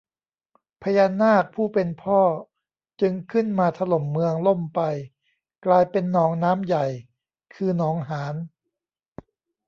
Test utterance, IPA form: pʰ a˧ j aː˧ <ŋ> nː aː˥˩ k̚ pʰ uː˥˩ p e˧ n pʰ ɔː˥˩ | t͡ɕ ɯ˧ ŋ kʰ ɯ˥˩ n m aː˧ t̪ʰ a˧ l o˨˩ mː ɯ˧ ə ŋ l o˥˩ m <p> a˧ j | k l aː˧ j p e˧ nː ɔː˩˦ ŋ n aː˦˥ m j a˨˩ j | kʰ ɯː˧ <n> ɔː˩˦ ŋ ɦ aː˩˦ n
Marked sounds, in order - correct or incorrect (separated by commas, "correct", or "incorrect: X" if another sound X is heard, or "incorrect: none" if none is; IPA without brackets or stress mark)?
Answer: incorrect: none, correct, correct